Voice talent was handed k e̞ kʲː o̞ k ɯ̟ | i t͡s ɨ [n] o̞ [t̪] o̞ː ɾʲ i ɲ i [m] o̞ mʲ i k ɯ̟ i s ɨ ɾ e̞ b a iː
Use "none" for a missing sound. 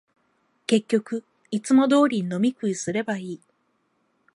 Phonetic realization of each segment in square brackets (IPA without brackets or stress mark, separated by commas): m, d̪, n